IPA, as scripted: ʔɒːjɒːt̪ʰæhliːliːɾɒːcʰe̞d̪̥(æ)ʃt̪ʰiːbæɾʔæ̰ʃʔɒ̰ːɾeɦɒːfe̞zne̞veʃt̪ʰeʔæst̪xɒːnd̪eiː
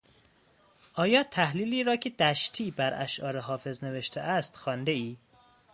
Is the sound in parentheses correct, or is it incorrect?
correct